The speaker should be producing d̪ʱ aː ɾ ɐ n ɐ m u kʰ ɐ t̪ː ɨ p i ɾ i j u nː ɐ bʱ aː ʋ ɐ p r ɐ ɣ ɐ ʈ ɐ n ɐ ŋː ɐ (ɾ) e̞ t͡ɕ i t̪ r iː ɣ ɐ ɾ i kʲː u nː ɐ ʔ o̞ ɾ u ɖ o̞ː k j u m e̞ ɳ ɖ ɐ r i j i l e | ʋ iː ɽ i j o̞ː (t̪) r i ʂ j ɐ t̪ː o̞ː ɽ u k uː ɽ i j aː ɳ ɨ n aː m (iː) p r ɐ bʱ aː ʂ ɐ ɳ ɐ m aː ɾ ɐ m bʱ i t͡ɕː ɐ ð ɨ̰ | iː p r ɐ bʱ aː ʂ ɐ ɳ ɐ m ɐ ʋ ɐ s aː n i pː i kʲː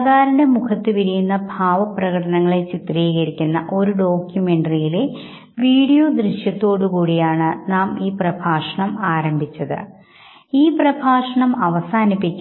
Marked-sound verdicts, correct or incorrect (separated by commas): incorrect, incorrect, correct